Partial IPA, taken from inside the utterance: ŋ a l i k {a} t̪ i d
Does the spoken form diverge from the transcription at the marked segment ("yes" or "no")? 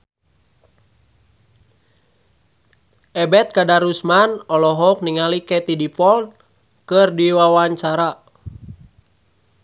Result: yes